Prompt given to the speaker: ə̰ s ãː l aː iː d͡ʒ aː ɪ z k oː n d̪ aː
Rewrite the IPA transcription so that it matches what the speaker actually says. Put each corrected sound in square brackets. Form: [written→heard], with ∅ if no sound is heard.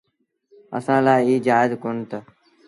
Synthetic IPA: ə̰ s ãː l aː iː d͡ʒ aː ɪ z k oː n [d̪→t̪] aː